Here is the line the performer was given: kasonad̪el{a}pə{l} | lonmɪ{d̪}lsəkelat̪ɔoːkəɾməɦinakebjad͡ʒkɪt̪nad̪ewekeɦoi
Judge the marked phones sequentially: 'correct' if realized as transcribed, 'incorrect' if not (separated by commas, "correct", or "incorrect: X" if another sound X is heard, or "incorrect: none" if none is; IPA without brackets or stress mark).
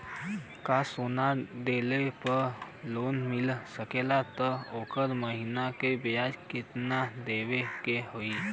incorrect: e, incorrect: ɾ, incorrect: none